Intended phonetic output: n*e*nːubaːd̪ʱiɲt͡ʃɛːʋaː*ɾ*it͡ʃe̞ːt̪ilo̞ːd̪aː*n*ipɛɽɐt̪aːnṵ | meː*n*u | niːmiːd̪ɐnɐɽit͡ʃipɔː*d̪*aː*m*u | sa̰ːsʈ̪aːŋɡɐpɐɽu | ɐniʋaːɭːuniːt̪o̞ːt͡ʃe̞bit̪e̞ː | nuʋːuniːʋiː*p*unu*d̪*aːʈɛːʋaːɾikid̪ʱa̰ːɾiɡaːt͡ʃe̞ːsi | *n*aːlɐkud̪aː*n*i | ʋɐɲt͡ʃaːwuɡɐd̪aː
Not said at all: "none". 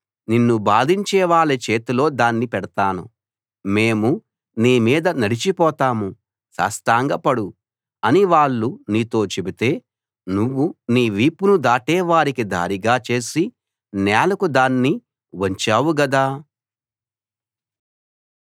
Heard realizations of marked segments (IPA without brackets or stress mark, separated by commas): i, ɭ, nː, m, t̪, m, p, d̪, n, nː